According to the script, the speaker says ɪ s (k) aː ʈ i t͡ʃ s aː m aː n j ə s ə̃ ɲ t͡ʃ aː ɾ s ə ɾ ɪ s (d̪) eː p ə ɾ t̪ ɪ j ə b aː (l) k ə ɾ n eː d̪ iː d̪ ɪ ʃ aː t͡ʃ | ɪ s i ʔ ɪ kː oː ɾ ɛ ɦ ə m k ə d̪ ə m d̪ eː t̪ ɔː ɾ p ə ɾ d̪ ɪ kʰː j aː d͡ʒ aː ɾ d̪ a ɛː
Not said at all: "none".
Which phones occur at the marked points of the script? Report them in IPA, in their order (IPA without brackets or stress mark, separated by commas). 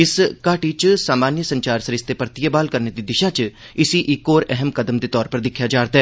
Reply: k, t̪, l